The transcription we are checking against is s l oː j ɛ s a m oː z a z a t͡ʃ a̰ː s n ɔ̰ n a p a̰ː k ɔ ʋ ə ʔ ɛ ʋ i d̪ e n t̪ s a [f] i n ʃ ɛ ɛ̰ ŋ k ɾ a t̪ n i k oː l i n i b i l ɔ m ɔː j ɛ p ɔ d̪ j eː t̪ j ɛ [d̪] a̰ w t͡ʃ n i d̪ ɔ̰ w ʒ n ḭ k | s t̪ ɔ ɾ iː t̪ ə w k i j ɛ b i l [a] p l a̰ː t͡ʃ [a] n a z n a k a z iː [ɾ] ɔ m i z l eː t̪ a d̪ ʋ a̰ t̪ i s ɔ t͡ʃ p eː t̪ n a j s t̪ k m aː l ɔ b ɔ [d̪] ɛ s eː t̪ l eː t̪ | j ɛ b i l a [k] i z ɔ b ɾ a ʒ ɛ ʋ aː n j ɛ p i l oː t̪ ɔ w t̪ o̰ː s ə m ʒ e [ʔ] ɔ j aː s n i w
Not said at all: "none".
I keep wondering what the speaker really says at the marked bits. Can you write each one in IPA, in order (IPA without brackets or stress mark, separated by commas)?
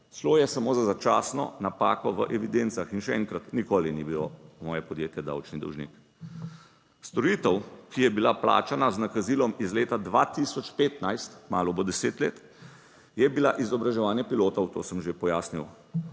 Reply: x, d̪, a, a, l, d̪, ʔ, p